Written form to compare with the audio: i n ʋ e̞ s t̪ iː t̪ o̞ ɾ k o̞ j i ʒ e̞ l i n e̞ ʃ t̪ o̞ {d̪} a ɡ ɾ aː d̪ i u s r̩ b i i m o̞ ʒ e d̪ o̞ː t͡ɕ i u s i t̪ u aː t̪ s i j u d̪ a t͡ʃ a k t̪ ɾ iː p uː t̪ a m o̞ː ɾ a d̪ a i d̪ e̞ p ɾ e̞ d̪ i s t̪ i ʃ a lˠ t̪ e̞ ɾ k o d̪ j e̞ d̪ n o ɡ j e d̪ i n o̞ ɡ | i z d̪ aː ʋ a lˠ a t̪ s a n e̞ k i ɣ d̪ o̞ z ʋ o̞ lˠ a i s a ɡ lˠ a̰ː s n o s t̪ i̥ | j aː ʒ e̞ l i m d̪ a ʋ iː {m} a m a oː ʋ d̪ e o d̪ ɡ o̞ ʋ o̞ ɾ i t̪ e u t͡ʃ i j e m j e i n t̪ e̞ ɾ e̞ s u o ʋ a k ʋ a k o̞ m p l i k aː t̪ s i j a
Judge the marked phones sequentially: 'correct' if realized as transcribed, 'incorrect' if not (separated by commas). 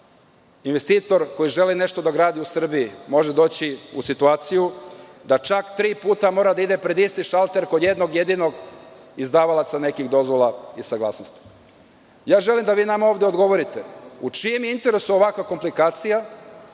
correct, incorrect